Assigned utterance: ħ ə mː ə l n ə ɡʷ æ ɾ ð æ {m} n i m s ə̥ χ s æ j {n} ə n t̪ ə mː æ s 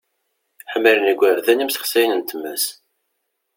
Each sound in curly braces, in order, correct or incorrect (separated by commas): incorrect, correct